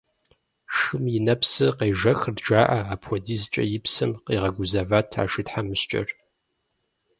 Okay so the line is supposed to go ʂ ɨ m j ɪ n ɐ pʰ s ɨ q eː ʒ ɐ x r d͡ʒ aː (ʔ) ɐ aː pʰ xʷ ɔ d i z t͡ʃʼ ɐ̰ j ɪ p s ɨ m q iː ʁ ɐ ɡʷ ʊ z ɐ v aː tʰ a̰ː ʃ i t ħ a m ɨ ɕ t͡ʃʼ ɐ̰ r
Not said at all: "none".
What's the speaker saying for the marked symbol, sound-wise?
ʔ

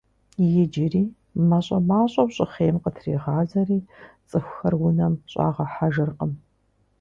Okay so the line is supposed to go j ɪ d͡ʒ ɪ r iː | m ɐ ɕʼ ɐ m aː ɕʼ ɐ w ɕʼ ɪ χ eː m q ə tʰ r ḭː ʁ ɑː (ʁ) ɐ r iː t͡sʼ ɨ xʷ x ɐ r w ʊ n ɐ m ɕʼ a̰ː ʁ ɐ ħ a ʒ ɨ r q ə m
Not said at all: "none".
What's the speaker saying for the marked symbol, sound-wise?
z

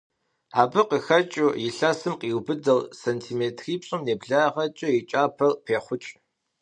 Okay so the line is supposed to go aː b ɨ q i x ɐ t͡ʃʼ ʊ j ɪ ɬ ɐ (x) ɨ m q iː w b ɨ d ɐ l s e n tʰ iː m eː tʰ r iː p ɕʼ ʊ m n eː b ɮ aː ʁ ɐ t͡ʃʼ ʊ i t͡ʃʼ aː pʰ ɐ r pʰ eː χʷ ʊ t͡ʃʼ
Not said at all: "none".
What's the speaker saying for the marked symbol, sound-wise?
s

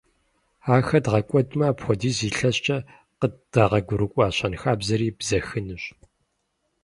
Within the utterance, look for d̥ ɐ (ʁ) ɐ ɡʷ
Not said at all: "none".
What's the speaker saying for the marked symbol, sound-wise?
ʁ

